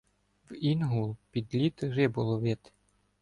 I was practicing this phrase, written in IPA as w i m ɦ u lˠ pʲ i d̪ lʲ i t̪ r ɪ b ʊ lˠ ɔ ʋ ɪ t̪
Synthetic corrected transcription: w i n ɦ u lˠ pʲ i d̪ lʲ i t̪ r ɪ b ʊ lˠ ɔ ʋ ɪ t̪